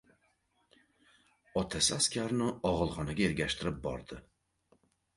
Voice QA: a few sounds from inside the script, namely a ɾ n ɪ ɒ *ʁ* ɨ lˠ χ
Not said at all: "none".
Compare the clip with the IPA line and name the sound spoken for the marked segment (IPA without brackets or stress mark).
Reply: ʁ